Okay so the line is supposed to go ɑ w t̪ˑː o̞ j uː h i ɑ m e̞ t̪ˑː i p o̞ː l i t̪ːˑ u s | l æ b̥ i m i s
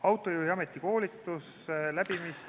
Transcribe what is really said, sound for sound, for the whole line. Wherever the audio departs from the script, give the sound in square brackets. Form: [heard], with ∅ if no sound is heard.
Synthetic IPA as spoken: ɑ w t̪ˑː o̞ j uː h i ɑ m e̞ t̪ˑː i [k] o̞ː l i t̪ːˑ u s | l æ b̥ i m i s